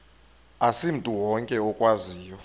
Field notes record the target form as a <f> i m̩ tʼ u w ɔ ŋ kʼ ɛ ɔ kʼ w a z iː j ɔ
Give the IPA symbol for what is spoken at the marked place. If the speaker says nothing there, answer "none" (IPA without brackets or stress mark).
s